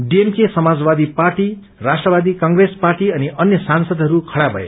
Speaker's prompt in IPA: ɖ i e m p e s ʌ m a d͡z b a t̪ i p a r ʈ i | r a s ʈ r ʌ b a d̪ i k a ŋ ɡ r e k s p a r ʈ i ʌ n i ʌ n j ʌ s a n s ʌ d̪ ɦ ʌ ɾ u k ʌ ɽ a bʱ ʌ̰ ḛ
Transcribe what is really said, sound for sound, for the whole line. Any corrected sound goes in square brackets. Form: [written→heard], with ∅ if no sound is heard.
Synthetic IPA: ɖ i e m [p→k] e s ʌ m a d͡z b a [t̪→d̪] i p a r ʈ i | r a s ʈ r ʌ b a d̪ i k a ŋ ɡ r e [k→∅] s p a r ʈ i ʌ n i ʌ n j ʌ s a n s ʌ d̪ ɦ ʌ ɾ u [k→kʰ] ʌ ɽ a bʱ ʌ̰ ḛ